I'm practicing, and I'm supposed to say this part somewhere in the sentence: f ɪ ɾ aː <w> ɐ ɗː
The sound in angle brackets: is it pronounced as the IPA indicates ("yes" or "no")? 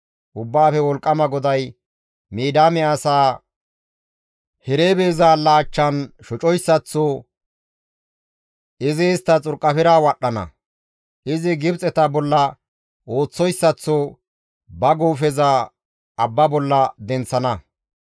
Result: yes